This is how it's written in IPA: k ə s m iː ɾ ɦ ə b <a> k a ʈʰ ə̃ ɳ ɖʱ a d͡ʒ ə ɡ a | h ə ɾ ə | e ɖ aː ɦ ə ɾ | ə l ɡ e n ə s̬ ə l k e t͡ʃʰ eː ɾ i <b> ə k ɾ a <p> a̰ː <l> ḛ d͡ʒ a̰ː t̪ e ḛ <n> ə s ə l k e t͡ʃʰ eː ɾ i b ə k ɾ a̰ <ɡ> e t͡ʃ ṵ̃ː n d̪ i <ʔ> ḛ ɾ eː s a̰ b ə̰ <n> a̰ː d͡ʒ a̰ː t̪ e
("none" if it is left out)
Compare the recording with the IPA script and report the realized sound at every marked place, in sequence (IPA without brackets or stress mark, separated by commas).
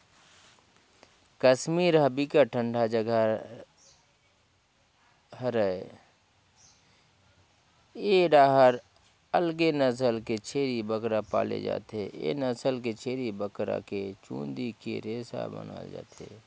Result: i, b, p, l, n, k, k, n